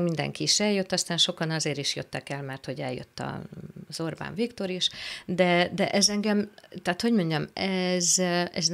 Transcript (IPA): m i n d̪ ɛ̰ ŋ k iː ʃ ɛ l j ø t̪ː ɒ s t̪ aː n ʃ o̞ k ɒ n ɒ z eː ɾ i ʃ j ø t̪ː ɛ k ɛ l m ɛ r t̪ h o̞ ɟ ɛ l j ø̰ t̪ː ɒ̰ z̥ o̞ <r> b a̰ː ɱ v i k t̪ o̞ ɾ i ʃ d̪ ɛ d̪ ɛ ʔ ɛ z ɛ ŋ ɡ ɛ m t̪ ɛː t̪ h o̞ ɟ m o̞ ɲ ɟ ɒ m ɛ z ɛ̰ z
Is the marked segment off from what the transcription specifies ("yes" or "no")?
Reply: no